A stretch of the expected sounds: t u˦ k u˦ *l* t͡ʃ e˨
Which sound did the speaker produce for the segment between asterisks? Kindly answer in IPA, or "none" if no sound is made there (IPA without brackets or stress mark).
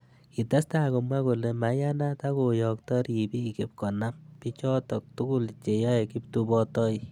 l